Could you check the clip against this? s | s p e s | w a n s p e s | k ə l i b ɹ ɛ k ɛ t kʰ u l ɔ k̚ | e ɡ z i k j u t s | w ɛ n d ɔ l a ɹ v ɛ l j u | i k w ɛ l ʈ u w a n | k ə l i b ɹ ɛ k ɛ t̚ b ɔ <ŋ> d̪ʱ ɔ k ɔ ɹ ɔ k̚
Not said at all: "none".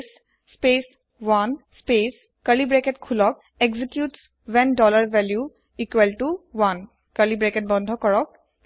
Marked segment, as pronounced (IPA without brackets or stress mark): n